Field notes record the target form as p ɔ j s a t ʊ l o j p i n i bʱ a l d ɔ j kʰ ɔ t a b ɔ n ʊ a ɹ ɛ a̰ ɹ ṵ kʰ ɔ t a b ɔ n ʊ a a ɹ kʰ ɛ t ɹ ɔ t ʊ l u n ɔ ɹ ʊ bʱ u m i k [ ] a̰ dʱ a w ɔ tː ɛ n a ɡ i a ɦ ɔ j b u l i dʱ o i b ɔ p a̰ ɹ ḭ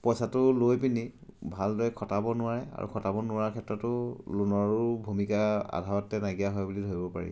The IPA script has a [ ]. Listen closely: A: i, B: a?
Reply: B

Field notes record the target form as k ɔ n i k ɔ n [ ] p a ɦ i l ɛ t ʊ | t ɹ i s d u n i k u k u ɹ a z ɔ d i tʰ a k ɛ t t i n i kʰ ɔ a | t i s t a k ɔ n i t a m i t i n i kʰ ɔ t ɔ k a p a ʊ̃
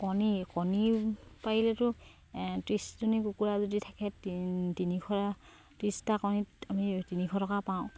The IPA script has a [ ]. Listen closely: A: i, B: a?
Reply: A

